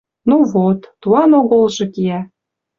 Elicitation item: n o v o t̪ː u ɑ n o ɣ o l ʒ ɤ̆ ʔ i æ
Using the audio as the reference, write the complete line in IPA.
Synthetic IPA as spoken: n u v o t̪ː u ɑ n o ɣ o l ʒ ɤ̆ k i æ